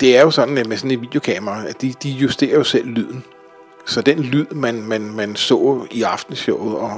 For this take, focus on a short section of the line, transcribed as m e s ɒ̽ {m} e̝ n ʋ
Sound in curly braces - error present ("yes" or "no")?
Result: yes